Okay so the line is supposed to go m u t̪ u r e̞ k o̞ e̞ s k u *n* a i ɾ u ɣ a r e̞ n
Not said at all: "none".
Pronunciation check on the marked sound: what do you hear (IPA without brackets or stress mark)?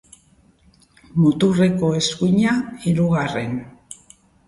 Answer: ɲ